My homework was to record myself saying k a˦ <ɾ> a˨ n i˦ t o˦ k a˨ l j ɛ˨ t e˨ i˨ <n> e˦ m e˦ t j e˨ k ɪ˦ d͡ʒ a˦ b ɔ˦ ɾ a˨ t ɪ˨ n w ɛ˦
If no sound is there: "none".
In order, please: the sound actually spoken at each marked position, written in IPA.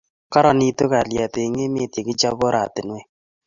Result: ɾ, ŋ

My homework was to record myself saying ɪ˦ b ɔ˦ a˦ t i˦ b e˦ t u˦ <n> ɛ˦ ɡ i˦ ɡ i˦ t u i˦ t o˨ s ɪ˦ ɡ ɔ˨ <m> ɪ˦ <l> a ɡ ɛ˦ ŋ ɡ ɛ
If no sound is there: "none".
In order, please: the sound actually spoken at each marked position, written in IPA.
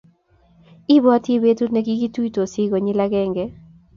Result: n, ɲ, l

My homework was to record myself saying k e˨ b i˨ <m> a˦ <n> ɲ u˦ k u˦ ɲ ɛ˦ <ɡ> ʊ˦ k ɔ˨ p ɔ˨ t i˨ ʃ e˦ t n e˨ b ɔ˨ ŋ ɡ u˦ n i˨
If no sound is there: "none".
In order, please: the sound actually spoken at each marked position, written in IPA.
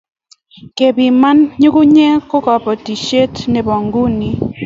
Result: m, n, k

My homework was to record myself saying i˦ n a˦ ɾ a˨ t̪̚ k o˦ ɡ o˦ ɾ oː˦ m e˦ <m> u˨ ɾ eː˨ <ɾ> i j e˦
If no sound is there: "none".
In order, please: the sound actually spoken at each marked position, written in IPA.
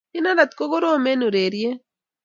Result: n, ɾ

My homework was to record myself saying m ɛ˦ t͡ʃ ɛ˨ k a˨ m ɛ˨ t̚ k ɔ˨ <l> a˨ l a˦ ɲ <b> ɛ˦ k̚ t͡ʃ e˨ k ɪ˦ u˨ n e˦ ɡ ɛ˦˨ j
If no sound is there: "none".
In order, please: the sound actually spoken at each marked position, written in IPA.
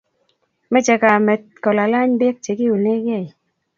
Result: l, b

